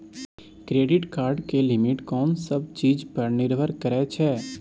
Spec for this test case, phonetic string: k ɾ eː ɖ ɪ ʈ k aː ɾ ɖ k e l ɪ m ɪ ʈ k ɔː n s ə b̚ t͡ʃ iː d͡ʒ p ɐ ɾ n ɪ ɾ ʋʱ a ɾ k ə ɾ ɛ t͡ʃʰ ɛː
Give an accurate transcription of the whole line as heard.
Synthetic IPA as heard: k ɾ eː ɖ ɪ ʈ k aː ɾ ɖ k e l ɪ m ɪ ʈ k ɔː n s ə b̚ t͡ʃ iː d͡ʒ p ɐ ɾ n ɪ ɾ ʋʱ ə ɾ k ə ɾ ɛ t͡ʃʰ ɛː